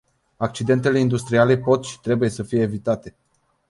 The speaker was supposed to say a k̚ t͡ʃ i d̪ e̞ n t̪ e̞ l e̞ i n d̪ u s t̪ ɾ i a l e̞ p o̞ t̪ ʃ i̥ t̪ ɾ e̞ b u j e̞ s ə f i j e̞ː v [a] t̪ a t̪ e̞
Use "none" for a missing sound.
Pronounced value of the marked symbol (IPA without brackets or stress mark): i